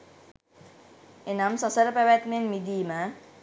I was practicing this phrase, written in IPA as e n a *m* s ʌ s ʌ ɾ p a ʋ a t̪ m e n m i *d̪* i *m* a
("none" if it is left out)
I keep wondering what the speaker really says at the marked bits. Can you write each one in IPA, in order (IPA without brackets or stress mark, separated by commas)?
m, d̪, m